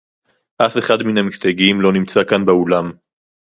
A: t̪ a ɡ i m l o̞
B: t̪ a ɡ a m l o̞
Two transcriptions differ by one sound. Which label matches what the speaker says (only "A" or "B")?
A